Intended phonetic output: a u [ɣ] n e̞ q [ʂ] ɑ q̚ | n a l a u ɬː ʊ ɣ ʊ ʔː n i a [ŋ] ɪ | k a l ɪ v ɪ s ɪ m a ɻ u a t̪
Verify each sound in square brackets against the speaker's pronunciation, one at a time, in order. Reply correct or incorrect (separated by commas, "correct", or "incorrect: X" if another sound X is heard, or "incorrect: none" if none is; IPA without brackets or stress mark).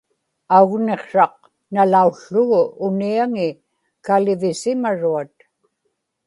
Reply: correct, correct, correct